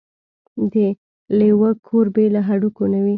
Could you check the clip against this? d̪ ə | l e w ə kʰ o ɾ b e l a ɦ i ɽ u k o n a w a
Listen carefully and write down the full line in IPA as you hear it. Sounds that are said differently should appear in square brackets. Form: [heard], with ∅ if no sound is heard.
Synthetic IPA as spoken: d̪ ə | l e w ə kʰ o ɾ b e l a ɦ [a] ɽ u k o n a w [i]